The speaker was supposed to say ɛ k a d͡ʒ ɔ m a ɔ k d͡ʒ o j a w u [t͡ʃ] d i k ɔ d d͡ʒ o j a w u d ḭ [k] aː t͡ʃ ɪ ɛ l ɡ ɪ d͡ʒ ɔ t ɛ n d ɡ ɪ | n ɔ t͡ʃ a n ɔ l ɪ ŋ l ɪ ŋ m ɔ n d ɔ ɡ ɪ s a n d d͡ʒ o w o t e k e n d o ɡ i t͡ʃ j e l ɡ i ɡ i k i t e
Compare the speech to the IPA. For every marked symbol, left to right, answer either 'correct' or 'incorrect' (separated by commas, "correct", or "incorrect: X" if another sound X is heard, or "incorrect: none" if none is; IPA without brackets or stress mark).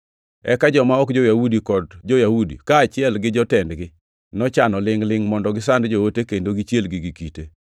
incorrect: none, correct